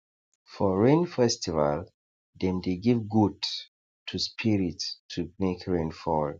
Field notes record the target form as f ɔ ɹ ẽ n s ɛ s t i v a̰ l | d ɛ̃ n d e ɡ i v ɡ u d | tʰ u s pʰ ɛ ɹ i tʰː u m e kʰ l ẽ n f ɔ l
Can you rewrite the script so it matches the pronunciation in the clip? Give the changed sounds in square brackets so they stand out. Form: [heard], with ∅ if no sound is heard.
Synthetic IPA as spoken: f ɔ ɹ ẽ n [f] ɛ s t i v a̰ l | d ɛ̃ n d e ɡ i v ɡ u d | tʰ u s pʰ [i] ɹ i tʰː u m e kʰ [ɹ] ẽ n f ɔ l